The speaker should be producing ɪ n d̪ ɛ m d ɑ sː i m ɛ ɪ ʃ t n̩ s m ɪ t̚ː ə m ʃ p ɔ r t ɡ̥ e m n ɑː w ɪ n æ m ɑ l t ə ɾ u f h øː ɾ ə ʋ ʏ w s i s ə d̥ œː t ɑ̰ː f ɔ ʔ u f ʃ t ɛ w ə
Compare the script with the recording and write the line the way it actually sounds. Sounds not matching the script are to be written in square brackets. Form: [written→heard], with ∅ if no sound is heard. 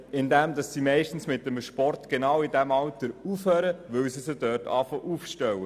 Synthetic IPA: ɪ n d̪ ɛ m d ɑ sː i m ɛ ɪ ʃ t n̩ s m ɪ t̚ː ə m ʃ p ɔ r t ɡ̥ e [m→∅] n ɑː w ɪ [n→d] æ m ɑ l t ə ɾ u f h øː ɾ ə ʋ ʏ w s i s ə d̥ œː t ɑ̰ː f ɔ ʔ u f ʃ t ɛ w ə